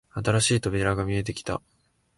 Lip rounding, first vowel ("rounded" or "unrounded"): unrounded